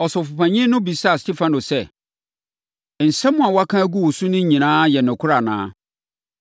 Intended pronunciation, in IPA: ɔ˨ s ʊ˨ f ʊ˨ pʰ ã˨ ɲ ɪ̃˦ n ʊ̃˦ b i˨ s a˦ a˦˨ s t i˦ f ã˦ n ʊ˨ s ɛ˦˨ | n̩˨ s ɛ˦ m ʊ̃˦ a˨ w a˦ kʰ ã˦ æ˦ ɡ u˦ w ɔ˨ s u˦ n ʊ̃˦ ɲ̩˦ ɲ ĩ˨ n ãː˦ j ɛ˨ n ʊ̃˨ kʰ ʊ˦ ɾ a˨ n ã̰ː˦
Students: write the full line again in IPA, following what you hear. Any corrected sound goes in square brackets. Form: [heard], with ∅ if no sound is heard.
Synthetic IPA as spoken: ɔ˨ s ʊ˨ f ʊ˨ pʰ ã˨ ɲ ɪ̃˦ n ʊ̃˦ b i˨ s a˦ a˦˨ s t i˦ f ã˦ n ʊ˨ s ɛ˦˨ | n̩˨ s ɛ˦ m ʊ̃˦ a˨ w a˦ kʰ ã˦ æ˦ ɡ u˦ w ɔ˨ s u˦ n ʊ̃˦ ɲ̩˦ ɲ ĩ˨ n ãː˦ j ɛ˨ n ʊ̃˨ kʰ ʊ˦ ɾ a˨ n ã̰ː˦